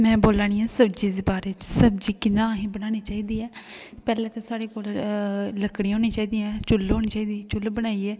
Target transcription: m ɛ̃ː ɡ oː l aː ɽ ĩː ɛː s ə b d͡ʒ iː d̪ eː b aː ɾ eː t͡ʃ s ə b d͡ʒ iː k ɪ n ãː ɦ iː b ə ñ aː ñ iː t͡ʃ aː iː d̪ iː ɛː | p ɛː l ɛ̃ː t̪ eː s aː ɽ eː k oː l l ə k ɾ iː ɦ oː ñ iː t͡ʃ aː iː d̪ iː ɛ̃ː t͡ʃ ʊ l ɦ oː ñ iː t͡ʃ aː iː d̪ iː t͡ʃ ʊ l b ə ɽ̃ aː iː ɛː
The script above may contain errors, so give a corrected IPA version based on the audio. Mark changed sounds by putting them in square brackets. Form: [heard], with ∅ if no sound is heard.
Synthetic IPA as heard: m ɛ̃ː [b] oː l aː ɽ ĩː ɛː s ə b d͡ʒ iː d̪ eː b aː ɾ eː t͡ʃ s ə b d͡ʒ iː k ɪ n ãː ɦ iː b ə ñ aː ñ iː t͡ʃ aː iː d̪ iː ɛː | p ɛː l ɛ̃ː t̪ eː s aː ɽ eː k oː l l ə k [ɽ] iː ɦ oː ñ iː t͡ʃ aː iː d̪ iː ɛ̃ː t͡ʃ ʊ l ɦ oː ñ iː t͡ʃ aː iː d̪ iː t͡ʃ ʊ l b ə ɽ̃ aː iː ɛː

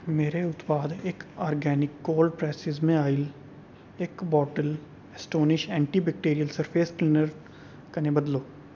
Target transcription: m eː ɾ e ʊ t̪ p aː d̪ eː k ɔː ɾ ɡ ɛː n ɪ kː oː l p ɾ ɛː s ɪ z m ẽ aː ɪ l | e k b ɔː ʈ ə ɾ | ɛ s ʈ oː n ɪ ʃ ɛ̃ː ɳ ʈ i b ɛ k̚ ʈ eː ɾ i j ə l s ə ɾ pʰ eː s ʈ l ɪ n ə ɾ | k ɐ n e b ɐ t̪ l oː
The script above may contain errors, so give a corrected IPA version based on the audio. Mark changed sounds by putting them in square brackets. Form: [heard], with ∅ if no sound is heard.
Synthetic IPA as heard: m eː ɾ e ʊ t̪ p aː d̪ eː k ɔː ɾ ɡ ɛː n ɪ kː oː l p ɾ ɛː s ɪ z m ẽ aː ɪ l | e k b ɔː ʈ ə [l] | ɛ s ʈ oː n ɪ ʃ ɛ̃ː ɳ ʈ i b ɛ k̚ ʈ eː ɾ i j ə l s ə ɾ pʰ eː s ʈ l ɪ n ə ɾ | k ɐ n e b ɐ [d̪] l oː

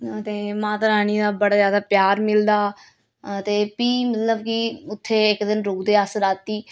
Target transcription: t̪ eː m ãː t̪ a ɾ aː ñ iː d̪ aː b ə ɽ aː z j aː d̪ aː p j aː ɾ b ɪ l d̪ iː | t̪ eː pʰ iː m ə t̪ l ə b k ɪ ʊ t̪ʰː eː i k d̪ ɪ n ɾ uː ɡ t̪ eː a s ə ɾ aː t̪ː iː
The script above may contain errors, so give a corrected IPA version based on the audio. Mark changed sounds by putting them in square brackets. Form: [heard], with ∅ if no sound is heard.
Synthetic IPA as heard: t̪ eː m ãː t̪ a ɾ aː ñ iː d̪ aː b ə ɽ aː z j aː d̪ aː p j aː ɾ [m] ɪ l d̪ [aː] | t̪ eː [p] iː m ə t̪ l ə b k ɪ ʊ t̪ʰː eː [ɪ] k d̪ ɪ n ɾ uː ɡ [d̪] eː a s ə ɾ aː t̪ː iː

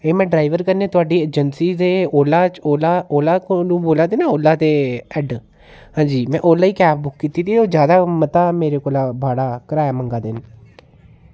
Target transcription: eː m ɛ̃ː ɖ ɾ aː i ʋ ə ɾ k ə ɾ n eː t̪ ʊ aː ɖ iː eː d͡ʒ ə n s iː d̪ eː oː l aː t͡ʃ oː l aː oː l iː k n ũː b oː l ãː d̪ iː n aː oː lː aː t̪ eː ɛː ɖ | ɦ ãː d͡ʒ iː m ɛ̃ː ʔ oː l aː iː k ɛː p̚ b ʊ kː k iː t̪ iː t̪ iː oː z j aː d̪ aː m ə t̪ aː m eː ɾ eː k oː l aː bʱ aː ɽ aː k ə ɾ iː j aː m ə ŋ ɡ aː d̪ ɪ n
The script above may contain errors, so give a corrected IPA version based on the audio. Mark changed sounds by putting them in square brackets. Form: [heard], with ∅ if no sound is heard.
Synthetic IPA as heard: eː m ɛ̃ː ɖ ɾ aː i ʋ ə ɾ k ə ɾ n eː t̪ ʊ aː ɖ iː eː d͡ʒ ə n s iː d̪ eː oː l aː t͡ʃ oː l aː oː l [aː] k n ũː b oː l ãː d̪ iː n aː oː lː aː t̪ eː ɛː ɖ | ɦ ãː d͡ʒ iː m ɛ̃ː ʔ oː l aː iː k ɛː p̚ b ʊ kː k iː t̪ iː t̪ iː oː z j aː d̪ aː m ə t̪ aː m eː ɾ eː k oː l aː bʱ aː ɽ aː k ə ɾ [aː] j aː m ə ŋ ɡ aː d̪ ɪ n

